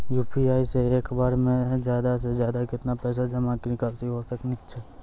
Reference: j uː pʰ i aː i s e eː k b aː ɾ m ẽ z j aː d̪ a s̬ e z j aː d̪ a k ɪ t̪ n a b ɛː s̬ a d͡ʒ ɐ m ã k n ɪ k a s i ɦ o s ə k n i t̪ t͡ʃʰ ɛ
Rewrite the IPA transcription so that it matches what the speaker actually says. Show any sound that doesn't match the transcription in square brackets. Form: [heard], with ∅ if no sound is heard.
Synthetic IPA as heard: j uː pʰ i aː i s e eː k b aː ɾ m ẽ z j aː d̪ a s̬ e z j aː d̪ a k ɪ t̪ n a [p] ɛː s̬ a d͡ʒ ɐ m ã k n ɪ k a s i ɦ o s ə k n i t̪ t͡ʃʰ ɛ